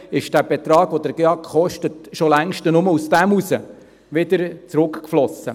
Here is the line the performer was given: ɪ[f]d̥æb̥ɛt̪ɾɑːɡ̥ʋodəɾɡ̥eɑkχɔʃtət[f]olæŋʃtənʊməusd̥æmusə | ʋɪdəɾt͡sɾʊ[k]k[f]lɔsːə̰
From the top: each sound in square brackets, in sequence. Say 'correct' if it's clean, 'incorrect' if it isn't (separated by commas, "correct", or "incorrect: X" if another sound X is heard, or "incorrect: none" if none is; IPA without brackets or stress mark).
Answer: incorrect: ʃ, incorrect: ʃ, correct, correct